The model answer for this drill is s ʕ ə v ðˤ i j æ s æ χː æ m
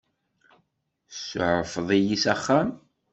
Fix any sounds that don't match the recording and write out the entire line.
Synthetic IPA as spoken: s ʕ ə f ðˤ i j i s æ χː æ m